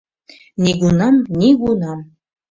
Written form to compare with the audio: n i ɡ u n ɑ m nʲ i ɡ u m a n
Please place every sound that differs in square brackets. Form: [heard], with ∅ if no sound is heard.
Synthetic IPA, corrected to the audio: n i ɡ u n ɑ m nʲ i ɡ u [n] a [m]